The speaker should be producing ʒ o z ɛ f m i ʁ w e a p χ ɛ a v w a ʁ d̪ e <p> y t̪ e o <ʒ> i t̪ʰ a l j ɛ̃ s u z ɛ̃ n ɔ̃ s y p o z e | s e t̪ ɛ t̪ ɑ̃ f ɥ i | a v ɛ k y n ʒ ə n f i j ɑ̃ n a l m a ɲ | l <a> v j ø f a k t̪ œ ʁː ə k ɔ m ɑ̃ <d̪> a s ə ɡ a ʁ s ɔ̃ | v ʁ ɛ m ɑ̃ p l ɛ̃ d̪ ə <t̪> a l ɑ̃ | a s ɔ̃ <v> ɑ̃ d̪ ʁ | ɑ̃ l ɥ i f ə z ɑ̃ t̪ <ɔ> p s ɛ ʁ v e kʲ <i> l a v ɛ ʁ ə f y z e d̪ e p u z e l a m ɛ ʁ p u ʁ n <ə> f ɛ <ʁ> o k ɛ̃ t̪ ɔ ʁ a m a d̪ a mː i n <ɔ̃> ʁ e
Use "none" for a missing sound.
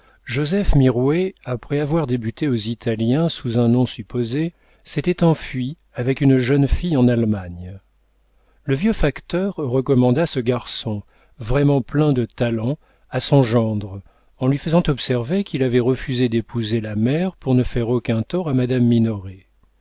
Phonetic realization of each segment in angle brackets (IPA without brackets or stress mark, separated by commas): b, z, ə, d̪, t̪, ʒ, ɔ, i, ə, ʁ, ɔ